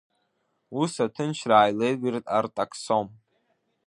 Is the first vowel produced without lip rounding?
no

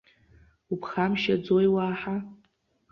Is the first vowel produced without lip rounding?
no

